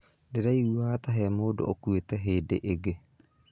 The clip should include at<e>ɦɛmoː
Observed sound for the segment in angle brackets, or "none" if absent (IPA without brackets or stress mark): a